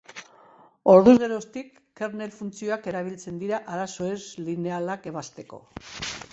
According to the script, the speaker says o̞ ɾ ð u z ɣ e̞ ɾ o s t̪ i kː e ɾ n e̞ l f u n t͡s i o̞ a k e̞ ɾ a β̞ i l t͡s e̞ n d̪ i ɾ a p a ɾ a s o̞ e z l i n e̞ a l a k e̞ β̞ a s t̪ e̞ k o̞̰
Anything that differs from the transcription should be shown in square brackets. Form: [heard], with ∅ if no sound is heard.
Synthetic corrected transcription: o̞ ɾ ð u z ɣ e̞ ɾ o s t̪ i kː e ɾ n e̞ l f u n t͡s i o̞ a k e̞ ɾ a β̞ i l t͡s e̞ n d̪ i ɾ a [ʔ] a ɾ a s o̞ e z l i n e̞ a l a k e̞ β̞ a s t̪ e̞ k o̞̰